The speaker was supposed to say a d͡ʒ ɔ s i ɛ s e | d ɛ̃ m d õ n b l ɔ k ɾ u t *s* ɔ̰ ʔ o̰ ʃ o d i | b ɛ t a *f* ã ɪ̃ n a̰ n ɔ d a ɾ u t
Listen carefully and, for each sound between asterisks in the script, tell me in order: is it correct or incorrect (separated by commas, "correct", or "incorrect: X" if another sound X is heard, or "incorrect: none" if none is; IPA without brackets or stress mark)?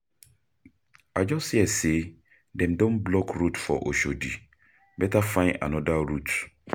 incorrect: f, correct